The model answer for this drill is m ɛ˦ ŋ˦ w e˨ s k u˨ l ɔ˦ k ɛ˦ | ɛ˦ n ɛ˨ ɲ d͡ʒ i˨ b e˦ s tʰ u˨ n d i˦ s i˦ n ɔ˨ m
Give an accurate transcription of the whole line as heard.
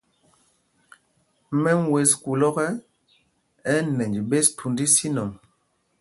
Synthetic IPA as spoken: m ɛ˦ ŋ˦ w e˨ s k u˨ l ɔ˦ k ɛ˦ | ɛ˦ n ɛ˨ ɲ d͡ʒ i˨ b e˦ s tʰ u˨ n d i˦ s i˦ n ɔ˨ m